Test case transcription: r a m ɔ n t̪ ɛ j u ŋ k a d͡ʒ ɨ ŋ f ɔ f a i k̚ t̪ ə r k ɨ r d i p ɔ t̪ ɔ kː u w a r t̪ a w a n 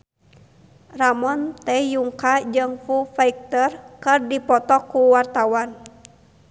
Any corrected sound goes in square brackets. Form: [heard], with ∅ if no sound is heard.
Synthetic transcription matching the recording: r a m ɔ n t̪ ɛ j u ŋ k a d͡ʒ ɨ ŋ f [u] f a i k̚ t̪ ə r k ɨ r d i p ɔ t̪ ɔ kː u w a r t̪ a w a n